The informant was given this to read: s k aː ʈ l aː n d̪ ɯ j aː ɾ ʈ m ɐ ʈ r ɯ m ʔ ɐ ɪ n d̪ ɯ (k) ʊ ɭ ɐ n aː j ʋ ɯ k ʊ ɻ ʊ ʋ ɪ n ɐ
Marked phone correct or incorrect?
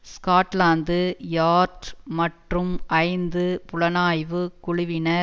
incorrect